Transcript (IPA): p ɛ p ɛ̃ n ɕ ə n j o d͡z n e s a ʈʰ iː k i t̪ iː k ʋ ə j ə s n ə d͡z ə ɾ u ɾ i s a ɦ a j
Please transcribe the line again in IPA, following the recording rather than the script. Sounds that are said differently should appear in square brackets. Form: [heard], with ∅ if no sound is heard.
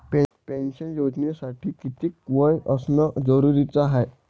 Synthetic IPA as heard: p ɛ p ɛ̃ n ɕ ə n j o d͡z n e s a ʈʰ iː k i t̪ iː k ʋ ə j ə s n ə d͡z ə ɾ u ɾ i [t͡s] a ɦ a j